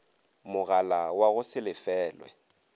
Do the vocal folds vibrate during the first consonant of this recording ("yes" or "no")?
yes